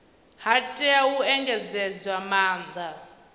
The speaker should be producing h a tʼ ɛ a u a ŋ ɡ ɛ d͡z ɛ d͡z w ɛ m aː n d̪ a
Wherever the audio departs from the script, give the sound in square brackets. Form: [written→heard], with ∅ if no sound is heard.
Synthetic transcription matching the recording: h a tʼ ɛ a u [a→ɛ] ŋ ɡ ɛ d͡z ɛ d͡z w [ɛ→a] m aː n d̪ a